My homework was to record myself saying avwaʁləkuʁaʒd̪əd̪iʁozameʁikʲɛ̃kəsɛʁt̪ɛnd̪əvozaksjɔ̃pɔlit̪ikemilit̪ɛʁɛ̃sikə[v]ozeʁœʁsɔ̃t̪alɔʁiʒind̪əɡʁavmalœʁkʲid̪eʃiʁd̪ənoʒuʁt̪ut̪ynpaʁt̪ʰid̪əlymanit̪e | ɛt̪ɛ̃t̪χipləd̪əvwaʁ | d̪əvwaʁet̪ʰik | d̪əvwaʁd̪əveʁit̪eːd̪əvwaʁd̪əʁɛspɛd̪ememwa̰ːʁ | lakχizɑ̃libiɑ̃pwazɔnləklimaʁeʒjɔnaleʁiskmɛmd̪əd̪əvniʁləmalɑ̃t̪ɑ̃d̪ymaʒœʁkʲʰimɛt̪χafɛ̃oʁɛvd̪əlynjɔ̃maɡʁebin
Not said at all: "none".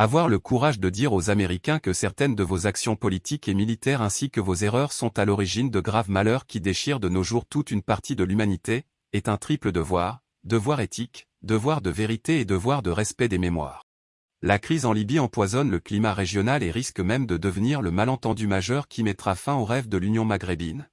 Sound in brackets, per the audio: v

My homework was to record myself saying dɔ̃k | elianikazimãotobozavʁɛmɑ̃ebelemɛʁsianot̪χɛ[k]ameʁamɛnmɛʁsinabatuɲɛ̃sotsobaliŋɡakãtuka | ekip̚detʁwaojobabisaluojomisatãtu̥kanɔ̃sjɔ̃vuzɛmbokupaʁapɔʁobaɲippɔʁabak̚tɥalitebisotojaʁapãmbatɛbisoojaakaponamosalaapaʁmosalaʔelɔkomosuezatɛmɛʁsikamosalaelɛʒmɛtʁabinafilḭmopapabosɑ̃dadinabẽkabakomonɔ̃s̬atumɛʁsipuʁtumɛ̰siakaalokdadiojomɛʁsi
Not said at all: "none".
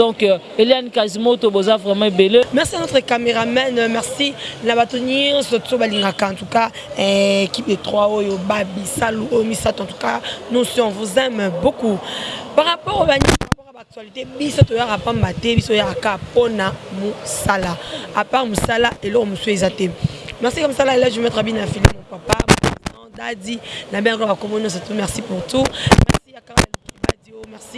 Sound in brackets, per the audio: k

